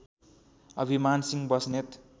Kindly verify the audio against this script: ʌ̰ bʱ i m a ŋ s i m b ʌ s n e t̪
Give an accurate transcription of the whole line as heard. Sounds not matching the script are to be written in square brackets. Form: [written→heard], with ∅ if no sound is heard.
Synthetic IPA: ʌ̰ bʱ i m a [ŋ→n] s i [m→ŋ] b ʌ s n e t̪